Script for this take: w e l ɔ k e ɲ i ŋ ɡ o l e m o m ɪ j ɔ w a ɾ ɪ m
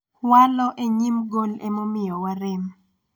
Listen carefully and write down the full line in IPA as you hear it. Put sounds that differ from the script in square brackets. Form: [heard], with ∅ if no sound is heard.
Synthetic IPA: w [a] l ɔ [ʔ] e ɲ i [m] ɡ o l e m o m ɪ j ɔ w a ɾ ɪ m